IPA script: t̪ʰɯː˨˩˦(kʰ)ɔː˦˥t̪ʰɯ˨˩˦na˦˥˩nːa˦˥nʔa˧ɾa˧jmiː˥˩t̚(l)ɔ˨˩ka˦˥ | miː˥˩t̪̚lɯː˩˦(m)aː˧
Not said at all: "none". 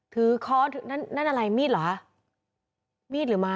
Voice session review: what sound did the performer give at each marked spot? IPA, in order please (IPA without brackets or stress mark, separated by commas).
kʰ, l, m